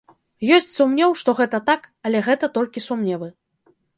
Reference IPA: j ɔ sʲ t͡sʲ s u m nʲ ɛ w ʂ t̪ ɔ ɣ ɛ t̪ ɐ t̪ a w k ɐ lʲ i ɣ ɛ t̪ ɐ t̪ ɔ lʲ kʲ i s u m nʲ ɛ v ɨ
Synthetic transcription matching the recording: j ɔ sʲ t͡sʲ s u m nʲ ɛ w ʂ t̪ ɔ ɣ ɛ t̪ ɐ t̪ a k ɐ lʲ ɛ ɣ ɛ t̪ ɐ t̪ ɔ lʲ kʲ i s u m nʲ ɛ v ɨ